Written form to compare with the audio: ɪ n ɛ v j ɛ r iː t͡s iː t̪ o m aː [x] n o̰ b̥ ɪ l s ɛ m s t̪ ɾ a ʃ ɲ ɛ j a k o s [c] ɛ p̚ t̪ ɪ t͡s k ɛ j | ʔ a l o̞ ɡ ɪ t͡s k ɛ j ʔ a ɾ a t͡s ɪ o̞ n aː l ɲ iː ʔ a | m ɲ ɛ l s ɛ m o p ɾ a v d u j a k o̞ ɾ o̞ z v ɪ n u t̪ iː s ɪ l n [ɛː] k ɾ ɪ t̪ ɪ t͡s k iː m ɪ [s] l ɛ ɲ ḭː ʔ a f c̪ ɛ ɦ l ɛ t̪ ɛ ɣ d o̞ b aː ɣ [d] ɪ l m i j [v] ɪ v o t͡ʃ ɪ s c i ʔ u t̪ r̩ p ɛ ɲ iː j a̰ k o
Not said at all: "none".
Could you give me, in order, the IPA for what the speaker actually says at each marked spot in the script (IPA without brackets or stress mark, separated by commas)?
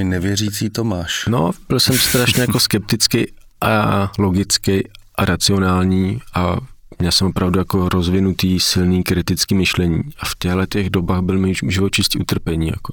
ʃ, k, iː, ʃ, b, ʒ